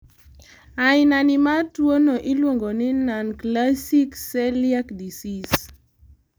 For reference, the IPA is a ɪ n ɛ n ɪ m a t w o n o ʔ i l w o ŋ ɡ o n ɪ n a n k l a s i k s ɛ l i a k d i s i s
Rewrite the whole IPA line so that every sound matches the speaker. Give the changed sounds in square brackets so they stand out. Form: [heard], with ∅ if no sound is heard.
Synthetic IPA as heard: a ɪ n [a] n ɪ m a t w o n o ʔ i l w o ŋ ɡ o n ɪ n a n k l a s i k s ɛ l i a k d i s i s